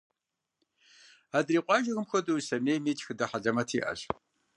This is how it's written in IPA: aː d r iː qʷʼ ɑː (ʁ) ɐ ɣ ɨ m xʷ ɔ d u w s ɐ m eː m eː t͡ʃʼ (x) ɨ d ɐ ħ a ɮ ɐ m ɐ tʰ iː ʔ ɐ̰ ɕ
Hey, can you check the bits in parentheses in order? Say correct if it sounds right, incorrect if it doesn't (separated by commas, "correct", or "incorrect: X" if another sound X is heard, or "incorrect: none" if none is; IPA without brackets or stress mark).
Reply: incorrect: ʒ, correct